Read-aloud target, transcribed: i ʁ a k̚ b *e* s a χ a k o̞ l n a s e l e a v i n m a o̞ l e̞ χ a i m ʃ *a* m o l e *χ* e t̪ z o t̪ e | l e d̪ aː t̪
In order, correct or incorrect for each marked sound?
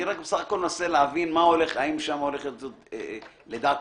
correct, correct, correct

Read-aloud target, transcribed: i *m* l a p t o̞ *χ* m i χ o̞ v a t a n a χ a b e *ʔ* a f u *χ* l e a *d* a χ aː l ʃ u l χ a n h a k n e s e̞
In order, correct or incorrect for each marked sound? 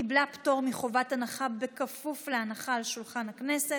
incorrect: b, incorrect: ʁ, incorrect: k, incorrect: f, incorrect: n

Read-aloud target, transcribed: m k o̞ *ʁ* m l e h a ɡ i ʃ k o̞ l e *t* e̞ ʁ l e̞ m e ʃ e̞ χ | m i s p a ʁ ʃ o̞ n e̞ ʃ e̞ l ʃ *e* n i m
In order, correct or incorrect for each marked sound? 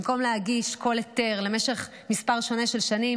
incorrect: none, correct, incorrect: a

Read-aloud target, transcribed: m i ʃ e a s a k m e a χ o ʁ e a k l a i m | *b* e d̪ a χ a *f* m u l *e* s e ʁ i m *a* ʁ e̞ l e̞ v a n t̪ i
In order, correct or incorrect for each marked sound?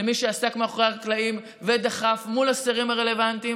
incorrect: v, correct, incorrect: a, correct

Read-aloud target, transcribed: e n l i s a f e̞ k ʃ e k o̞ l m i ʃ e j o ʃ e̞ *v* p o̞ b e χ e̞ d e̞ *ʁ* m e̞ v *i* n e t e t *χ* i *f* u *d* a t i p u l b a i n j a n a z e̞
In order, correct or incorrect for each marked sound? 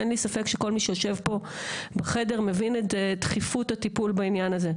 correct, correct, correct, correct, correct, incorrect: t

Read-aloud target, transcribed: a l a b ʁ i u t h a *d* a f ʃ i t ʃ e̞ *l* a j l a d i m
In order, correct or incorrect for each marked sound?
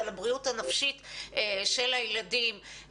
incorrect: n, correct

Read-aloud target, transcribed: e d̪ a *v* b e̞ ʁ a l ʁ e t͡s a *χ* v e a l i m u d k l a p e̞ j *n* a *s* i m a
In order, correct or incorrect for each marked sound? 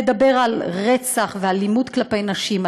incorrect: none, correct, correct, incorrect: ʃ

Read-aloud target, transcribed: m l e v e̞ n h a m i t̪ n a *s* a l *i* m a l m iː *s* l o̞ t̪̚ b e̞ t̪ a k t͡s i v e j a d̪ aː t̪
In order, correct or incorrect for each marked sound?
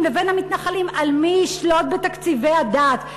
incorrect: χ, correct, incorrect: ʃ

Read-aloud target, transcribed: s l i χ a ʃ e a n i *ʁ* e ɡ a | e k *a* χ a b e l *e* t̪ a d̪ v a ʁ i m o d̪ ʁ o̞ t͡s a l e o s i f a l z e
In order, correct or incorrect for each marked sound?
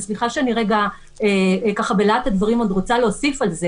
correct, correct, incorrect: a

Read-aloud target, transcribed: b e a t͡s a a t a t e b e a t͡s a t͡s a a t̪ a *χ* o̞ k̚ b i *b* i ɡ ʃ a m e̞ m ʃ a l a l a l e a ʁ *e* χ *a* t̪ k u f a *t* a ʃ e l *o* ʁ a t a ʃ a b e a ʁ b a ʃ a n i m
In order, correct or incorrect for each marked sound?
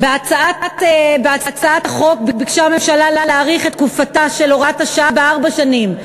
correct, correct, incorrect: i, incorrect: e, correct, correct

